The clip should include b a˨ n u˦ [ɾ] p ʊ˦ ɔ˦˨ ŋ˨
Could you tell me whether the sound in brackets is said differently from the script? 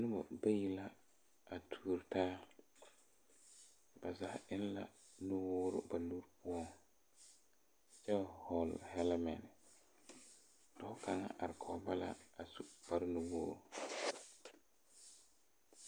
no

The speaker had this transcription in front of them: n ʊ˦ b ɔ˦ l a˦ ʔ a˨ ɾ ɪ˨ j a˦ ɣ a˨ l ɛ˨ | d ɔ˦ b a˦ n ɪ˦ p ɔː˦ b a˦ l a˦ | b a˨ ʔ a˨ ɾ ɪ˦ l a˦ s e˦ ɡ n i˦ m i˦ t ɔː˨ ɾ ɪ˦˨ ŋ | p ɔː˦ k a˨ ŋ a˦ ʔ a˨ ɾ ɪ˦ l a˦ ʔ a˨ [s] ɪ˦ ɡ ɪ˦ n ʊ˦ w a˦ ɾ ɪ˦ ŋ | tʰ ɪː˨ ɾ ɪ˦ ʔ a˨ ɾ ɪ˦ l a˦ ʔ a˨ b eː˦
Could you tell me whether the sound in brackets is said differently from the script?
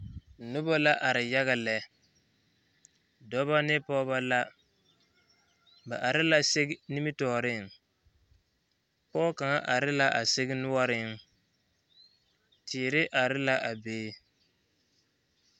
no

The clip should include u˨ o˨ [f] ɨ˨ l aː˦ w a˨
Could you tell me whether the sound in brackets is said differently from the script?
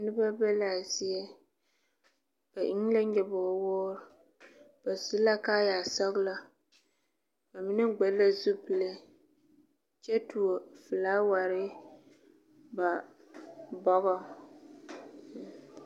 no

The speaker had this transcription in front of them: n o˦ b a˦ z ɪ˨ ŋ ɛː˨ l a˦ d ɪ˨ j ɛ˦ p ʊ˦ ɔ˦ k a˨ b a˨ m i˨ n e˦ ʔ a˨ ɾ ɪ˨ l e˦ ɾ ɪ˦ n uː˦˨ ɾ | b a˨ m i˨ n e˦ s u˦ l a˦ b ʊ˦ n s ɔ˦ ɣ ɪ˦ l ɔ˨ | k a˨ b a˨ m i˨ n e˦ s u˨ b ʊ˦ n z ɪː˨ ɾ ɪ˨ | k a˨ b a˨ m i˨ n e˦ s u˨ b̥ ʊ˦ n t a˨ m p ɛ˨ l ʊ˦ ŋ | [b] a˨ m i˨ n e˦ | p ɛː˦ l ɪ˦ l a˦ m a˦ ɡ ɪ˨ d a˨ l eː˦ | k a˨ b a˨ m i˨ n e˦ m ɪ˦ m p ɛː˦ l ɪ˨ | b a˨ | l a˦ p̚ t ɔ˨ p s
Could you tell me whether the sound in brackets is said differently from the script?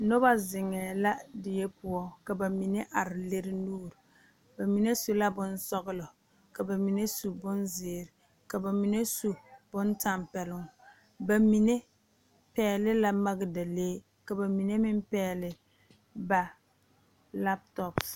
no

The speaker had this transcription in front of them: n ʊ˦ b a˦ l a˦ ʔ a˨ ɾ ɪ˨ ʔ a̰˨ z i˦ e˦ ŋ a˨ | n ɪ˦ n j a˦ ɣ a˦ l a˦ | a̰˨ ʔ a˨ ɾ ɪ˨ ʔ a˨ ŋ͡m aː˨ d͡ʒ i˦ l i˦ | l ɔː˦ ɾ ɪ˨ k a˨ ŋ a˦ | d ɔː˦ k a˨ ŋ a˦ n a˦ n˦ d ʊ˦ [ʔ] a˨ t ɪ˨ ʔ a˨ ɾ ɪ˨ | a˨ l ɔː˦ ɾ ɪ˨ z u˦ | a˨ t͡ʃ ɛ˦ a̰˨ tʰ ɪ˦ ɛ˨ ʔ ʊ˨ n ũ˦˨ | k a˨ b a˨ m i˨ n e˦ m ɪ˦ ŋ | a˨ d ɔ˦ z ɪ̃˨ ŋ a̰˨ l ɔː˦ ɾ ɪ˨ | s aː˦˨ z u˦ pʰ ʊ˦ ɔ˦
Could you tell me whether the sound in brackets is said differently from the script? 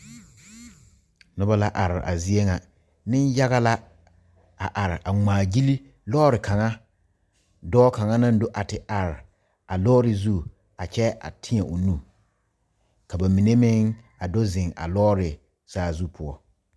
no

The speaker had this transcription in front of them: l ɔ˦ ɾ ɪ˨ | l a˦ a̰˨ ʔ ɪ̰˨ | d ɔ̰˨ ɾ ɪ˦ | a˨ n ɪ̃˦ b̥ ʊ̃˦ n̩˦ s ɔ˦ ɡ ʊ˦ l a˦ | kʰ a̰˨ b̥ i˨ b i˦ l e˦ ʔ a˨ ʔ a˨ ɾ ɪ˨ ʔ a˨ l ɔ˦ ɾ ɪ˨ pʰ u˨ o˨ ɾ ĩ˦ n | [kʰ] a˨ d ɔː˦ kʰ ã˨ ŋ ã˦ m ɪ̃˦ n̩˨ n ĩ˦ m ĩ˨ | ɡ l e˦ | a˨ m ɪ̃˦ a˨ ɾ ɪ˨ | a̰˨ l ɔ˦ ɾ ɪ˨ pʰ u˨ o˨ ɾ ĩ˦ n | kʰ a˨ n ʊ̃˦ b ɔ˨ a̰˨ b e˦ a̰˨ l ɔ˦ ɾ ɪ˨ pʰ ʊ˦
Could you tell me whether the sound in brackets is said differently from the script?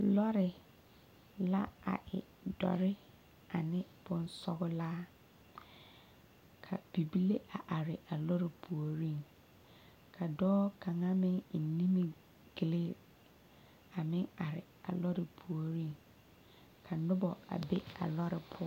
no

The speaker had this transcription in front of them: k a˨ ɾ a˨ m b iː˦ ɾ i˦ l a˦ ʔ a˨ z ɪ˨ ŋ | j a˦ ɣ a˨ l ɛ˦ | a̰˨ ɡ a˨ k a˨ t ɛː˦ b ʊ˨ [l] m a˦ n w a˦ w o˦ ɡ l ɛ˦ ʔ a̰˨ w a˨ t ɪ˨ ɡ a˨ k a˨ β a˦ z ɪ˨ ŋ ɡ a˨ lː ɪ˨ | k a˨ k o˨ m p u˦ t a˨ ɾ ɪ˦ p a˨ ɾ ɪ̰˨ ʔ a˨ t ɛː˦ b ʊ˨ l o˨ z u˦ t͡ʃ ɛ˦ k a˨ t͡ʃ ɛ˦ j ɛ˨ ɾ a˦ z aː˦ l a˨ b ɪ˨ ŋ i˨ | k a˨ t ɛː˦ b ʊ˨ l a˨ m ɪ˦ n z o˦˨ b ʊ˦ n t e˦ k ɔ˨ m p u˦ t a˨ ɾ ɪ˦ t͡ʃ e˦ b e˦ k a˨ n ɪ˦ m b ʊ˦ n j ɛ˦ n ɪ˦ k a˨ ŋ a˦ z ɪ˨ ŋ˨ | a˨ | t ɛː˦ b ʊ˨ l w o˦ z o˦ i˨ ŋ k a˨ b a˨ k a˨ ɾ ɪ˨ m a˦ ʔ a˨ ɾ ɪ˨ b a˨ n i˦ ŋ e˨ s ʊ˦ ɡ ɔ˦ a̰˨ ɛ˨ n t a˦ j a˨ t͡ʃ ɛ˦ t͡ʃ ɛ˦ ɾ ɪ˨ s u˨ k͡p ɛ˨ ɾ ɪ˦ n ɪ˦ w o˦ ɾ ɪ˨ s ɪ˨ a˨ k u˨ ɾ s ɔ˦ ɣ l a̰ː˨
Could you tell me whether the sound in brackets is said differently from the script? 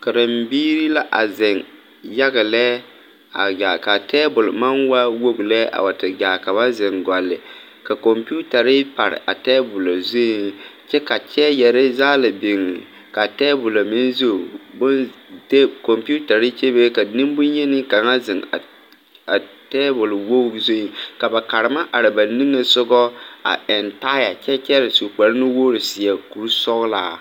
no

